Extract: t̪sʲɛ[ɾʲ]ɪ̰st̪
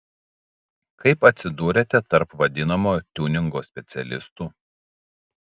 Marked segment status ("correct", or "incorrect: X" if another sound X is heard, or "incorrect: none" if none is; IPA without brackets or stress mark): incorrect: lʲ